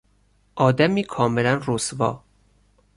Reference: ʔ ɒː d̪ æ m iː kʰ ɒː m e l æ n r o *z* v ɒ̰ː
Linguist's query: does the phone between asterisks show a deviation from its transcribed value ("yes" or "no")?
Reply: yes